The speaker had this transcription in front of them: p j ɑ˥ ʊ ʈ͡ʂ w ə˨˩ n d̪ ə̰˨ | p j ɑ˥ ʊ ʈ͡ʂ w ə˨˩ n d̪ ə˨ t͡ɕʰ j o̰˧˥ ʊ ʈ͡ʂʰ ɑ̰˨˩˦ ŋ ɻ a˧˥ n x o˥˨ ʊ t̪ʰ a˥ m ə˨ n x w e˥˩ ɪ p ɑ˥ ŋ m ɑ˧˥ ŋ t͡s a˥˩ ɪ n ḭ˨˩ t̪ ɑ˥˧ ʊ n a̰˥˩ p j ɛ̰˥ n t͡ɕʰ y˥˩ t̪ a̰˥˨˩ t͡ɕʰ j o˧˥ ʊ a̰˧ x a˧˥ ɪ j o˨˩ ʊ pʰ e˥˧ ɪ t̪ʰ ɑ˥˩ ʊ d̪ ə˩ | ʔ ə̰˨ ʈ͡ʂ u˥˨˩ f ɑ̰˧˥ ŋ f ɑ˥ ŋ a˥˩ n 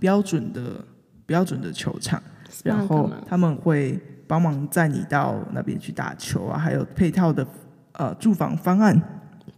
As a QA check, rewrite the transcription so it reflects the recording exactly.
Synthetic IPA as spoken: p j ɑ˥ ʊ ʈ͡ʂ w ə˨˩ n d̪ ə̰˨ | p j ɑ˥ ʊ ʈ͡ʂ w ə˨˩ n d̪ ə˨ t͡ɕʰ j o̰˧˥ ʊ ʈ͡ʂʰ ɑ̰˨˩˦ ŋ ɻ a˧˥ n x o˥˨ ʊ t̪ʰ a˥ m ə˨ n x w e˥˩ ɪ p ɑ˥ ŋ m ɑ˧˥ ŋ t͡s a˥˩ ɪ n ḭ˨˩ t̪ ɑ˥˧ ʊ n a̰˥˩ p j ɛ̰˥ n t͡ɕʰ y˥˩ t̪ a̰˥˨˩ t͡ɕʰ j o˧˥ ʊ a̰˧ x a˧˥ ɪ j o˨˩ ʊ pʰ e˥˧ ɪ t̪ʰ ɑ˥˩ ʊ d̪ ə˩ | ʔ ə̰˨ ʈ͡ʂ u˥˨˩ f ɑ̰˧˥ ŋ f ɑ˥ ŋ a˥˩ n